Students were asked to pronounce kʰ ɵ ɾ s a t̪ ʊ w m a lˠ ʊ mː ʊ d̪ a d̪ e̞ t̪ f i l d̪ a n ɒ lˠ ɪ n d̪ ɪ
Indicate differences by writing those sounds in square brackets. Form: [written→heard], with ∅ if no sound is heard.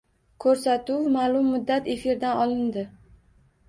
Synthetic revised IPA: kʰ ɵ ɾ s a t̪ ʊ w m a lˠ ʊ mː ʊ [d̪→d̪ː] a [d̪→t̪] e̞ [t̪→∅] f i [l→ɾ] d̪ a n ɒ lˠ ɪ n d̪ ɪ